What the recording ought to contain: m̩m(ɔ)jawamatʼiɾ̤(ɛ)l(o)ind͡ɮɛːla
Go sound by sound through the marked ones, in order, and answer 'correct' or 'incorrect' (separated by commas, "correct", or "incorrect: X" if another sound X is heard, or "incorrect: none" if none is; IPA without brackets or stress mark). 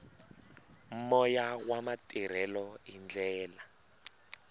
correct, correct, incorrect: ɔ